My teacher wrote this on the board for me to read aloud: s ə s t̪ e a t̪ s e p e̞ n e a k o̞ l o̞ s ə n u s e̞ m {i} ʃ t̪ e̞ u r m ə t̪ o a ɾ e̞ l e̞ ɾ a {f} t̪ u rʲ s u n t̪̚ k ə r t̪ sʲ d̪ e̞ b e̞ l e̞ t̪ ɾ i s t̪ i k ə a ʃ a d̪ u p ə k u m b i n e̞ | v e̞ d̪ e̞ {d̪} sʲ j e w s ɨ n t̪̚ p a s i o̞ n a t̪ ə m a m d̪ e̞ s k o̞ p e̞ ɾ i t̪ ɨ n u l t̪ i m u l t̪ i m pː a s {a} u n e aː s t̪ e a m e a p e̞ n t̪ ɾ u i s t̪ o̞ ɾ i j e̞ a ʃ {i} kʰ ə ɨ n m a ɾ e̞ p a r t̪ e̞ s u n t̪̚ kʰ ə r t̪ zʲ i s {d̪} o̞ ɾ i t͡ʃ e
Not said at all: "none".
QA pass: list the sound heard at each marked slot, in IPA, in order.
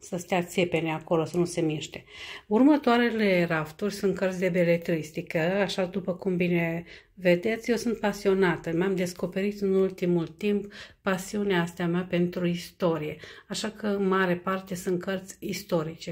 i, f, t̪, i, a, t̪

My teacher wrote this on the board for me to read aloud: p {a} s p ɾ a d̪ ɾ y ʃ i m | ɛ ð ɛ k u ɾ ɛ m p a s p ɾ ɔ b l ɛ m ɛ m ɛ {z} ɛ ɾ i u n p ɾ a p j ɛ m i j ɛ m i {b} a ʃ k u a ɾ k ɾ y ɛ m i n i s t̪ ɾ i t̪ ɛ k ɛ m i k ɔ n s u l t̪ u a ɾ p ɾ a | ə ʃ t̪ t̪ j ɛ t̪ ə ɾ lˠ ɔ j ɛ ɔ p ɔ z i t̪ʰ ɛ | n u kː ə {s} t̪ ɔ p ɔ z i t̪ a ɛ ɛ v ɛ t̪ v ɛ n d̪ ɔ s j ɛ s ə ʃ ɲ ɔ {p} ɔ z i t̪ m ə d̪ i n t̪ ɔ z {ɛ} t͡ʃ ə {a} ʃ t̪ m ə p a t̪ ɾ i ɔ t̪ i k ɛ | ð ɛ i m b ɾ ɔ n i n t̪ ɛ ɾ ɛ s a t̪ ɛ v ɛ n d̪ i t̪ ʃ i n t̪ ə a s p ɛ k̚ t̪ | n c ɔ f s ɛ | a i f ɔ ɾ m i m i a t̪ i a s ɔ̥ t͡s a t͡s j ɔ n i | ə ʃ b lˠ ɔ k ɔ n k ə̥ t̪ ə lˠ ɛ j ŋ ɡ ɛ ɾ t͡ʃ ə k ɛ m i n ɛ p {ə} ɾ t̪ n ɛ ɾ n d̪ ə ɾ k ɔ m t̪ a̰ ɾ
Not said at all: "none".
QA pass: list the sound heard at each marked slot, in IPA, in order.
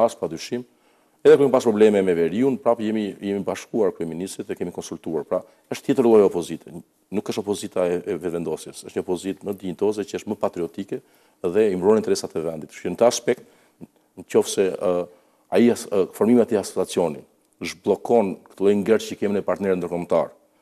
a, v, b, ʃ, p, ɛ, ə, a

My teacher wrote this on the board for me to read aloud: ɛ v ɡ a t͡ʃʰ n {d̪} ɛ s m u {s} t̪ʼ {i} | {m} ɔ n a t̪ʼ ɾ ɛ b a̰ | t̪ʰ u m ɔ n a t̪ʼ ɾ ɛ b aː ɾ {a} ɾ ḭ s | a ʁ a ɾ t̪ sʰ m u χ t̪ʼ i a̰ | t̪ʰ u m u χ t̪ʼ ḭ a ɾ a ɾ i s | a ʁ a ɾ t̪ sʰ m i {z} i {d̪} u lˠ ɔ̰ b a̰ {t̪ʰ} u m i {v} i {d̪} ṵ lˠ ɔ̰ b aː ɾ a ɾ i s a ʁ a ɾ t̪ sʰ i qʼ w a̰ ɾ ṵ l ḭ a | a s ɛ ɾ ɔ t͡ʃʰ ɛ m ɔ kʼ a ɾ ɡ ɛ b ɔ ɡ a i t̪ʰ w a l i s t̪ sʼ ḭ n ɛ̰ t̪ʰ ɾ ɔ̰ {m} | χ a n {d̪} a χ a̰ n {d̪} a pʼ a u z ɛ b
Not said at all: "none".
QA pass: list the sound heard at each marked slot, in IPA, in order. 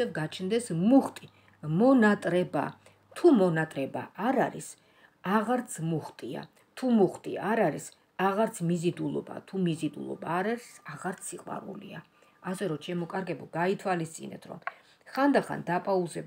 d̪, χ, i, m, a, z, d̪, t̪ʰ, z, d̪, m, d̪, d̪

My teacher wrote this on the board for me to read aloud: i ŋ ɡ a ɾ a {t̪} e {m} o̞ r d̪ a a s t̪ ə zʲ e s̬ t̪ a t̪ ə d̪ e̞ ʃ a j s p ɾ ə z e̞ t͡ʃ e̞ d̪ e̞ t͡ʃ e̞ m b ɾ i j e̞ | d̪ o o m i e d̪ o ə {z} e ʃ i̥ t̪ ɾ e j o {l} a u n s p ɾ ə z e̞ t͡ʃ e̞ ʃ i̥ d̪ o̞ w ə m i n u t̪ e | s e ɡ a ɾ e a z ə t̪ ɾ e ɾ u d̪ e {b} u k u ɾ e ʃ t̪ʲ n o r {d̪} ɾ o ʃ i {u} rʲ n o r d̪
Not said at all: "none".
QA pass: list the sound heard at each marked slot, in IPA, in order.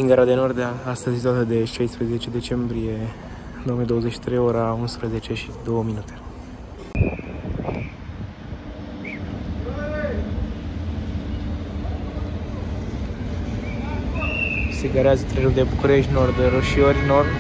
d̪, n, z, ɾ, b, d̪, o

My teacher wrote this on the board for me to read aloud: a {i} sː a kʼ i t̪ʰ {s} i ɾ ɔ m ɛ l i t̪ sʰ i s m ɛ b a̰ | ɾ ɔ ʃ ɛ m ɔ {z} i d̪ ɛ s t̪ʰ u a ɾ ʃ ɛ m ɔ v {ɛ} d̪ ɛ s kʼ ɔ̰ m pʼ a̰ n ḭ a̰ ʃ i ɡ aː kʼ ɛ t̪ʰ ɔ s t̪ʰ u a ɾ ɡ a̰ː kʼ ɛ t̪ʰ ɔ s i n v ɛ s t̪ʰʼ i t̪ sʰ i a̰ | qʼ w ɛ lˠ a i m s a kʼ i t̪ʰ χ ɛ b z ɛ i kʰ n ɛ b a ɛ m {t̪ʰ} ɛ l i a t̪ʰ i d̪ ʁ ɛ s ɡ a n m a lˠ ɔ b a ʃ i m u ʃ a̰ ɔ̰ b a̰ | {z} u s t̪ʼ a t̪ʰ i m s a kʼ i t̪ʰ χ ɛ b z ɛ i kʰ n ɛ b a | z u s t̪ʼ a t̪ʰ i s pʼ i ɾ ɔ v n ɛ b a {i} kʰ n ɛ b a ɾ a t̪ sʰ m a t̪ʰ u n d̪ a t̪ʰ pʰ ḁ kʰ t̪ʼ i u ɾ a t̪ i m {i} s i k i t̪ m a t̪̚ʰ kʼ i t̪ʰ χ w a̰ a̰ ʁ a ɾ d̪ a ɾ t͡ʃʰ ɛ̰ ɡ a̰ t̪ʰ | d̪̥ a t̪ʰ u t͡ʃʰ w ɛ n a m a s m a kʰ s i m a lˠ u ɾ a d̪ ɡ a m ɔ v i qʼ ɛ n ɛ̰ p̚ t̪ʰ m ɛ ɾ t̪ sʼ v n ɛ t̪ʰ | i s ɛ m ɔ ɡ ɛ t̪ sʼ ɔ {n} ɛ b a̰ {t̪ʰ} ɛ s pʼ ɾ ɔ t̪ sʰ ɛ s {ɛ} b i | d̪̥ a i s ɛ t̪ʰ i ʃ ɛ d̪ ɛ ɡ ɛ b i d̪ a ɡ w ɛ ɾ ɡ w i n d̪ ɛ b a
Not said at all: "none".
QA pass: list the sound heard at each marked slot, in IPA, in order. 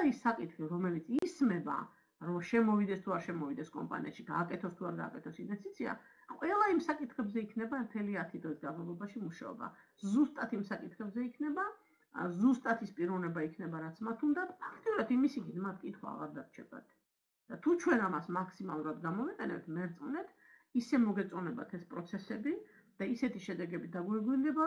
i, χ, v, i, t̪ʰ, z, i, i, n, t̪ʰ, ɛ

